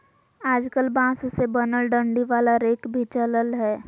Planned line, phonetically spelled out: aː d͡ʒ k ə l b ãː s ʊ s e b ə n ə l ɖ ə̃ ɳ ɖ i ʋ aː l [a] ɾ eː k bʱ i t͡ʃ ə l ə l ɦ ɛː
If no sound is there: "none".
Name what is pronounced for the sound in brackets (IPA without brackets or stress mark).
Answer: a